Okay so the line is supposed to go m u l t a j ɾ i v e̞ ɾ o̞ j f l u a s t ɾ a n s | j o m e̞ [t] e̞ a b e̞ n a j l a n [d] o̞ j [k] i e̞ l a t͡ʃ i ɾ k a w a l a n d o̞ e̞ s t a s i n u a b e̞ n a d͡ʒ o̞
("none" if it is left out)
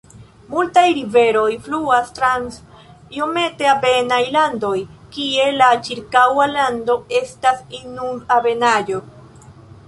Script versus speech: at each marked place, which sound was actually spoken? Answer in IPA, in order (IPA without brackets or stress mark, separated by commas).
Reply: t, d, k